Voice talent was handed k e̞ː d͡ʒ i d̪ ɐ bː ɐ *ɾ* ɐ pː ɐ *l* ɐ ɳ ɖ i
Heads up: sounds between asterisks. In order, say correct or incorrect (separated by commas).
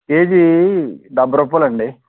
correct, correct